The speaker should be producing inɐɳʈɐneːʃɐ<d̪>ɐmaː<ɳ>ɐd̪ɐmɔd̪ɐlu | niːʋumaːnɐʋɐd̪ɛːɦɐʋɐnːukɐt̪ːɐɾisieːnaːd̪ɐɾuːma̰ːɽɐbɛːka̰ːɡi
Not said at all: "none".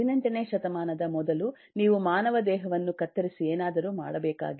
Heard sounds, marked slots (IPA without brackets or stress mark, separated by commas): t̪, n